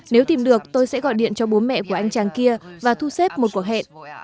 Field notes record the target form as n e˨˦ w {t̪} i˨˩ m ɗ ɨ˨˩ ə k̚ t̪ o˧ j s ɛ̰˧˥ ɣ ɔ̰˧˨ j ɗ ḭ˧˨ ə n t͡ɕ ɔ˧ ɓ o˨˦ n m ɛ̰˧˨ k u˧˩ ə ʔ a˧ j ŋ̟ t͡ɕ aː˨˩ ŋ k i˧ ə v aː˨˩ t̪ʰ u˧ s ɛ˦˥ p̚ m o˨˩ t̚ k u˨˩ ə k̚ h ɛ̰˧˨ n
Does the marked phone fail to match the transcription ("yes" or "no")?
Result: no